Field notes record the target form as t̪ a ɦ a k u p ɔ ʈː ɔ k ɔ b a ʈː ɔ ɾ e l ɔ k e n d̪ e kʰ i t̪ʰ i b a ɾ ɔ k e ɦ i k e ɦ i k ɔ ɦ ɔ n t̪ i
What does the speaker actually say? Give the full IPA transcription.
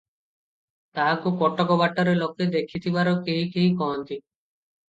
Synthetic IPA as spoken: t̪ a ɦ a k u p ɔ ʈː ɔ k ɔ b a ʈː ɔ ɾ e l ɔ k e d̪ e kʰ i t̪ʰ i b a ɾ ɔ k e ɦ i k e ɦ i k ɔ ɦ ɔ n t̪ i